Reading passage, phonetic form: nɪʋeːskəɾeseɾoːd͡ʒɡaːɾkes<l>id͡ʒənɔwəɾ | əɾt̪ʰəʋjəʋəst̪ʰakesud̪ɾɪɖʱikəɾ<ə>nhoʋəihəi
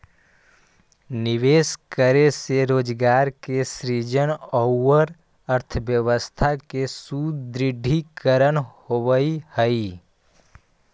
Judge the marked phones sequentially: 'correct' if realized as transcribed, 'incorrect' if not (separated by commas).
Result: incorrect, correct